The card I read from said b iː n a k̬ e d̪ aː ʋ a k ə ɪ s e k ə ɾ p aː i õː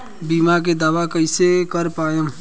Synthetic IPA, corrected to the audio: b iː m a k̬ e d̪ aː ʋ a k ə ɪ s e k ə ɾ p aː j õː